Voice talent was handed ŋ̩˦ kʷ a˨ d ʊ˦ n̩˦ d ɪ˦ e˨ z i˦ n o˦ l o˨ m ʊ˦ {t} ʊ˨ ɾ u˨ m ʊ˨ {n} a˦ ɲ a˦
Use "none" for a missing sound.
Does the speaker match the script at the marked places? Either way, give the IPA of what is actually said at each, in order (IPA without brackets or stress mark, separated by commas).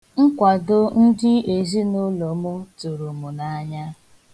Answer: t, n